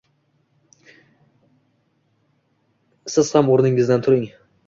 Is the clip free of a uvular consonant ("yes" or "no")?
yes